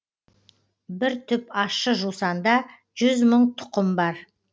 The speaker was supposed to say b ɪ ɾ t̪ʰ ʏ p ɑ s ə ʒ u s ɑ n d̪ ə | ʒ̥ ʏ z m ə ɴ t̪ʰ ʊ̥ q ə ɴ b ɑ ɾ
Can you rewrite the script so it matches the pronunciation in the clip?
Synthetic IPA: b ɪ ɾ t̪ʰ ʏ p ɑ ʃ ə ʒ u s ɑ n d̪ ɑ | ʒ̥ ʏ z m ə ɴ t̪ʰ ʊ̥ q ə m b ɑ ɾ